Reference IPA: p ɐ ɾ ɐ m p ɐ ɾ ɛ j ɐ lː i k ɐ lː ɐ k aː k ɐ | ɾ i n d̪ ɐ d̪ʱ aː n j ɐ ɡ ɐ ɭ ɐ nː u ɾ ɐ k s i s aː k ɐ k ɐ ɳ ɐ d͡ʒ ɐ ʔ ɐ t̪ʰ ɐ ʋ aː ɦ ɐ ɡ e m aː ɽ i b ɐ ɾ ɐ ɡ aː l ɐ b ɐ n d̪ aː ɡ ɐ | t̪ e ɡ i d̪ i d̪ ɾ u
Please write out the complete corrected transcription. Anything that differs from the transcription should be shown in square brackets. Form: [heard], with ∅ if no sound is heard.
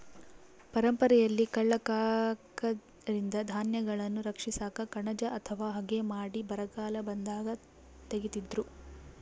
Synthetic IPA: p ɐ ɾ ɐ m p ɐ ɾ ɛ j ɐ lː i k ɐ [ɭː] ɐ k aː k ɐ | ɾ i n d̪ ɐ d̪ʱ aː n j ɐ ɡ ɐ ɭ ɐ nː u ɾ ɐ k [ʂ] i s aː k ɐ k ɐ ɳ ɐ d͡ʒ ɐ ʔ ɐ t̪ʰ ɐ ʋ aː ɦ ɐ ɡ e m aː ɽ i b ɐ ɾ ɐ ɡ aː l ɐ b ɐ n d̪ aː ɡ ɐ | t̪ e ɡ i [t̪] i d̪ ɾ u

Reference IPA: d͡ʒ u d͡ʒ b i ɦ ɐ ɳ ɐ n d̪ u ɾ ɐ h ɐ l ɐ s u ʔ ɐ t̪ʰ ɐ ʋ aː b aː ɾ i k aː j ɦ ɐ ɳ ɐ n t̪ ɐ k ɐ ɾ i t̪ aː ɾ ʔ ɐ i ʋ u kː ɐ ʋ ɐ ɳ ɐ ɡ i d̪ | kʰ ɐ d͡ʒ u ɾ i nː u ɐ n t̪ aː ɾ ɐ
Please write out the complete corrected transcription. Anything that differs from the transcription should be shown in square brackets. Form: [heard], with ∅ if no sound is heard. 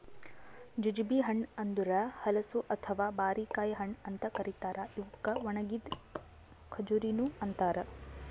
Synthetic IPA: d͡ʒ u d͡ʒ b i ɦ ɐ ɳ ɐ n d̪ u ɾ ɐ h ɐ l ɐ s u ʔ ɐ t̪ʰ ɐ ʋ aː b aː ɾ i k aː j ɦ ɐ ɳ ɐ n t̪ ɐ k ɐ ɾ i t̪ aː ɾ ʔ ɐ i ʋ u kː ɐ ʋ ɐ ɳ ɐ ɡ i d̪ | kʰ ɐ d͡ʒ u ɾ i [n] u ɐ n t̪ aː ɾ ɐ

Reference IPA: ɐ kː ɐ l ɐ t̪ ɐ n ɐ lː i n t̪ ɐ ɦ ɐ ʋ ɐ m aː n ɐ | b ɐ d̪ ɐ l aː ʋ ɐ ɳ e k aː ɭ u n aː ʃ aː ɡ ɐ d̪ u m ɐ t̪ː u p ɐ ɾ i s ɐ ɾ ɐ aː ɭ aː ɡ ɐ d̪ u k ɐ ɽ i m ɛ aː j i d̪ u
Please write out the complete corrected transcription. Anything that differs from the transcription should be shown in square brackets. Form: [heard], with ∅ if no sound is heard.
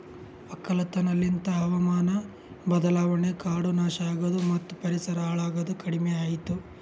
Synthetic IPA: ɐ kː ɐ l ɐ t̪ ɐ n ɐ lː i n t̪ ɐ ɦ ɐ ʋ ɐ m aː n ɐ | b ɐ d̪ ɐ l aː ʋ ɐ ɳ e k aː [ɽ] u n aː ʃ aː ɡ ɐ d̪ u m ɐ t̪ː u p ɐ ɾ i s ɐ ɾ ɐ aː ɭ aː ɡ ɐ d̪ u k ɐ ɽ i m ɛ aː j i [t̪] u

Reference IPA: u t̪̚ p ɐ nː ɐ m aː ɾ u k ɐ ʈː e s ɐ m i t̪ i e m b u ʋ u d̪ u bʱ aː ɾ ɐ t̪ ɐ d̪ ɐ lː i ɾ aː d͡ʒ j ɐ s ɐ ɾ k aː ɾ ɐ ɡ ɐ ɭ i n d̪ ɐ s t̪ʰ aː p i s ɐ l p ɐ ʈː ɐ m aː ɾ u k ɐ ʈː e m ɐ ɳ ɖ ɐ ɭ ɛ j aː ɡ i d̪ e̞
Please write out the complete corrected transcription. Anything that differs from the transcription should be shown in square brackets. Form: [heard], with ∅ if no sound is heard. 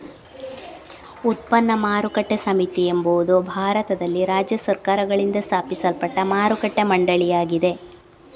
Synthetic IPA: u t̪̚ p ɐ nː ɐ m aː ɾ u k ɐ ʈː e s ɐ m i t̪ i e m b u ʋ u d̪ u bʱ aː ɾ ɐ t̪ ɐ d̪ ɐ lː i ɾ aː d͡ʒ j ɐ s ɐ ɾ k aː ɾ ɐ ɡ ɐ ɭ i n d̪ ɐ s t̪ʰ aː p i s ɐ l p ɐ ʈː ɐ m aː ɾ u k ɐ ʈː e m ɐ ɳ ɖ ɐ ɭ [i] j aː ɡ i d̪ e̞

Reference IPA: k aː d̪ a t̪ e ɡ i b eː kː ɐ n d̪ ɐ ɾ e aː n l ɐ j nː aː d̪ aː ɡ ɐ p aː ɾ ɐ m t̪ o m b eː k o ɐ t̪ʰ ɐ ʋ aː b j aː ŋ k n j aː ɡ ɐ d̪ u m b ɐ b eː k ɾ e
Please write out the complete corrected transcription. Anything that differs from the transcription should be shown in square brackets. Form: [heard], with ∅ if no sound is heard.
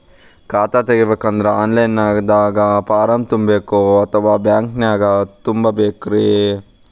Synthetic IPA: k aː [t̪] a t̪ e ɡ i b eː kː ɐ n d̪ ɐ ɾ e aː n l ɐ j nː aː d̪ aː ɡ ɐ p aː ɾ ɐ m t̪ [u] m b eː k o ɐ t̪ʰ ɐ ʋ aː b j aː ŋ k n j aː ɡ ɐ [t̪] u m b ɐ b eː k ɾ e

